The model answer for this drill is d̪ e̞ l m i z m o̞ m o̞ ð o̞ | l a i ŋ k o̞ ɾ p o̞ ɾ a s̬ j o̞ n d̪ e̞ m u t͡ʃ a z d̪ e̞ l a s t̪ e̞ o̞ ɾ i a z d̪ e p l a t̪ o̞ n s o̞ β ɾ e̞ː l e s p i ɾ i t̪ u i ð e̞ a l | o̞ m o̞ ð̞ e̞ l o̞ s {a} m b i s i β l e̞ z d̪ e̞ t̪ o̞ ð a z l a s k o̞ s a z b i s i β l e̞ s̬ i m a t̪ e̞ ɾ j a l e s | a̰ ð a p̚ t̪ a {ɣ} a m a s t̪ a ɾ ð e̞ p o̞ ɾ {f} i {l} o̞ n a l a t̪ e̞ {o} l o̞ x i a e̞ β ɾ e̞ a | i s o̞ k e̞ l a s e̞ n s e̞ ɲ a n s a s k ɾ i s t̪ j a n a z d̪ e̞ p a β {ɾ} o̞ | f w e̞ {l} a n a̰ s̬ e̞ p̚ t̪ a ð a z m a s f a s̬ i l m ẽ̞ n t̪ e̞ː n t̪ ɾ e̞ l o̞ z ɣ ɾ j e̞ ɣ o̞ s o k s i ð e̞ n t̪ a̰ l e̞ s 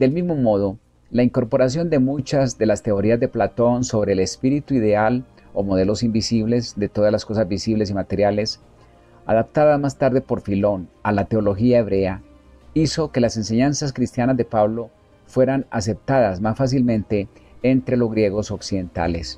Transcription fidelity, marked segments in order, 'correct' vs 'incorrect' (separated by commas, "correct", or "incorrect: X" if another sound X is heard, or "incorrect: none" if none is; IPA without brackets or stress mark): incorrect: i, incorrect: ð, correct, correct, correct, incorrect: l, incorrect: ɾ